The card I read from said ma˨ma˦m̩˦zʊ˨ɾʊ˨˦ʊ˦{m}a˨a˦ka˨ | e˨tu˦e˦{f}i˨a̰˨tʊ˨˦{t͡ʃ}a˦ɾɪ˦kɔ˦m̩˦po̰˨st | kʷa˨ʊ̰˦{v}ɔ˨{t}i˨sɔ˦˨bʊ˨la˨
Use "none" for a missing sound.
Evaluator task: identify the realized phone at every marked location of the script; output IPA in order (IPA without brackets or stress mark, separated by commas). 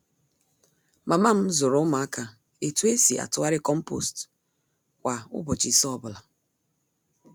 m, s, none, b, t͡ʃ